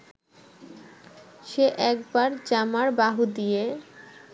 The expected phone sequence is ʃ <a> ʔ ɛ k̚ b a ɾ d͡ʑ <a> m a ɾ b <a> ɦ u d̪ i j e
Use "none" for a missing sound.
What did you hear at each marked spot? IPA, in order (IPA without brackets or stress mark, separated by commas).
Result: e, a, a